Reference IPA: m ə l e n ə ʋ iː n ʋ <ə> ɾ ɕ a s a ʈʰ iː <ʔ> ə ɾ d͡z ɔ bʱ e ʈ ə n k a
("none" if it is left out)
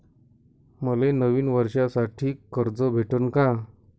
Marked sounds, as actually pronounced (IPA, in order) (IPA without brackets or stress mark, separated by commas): ə, k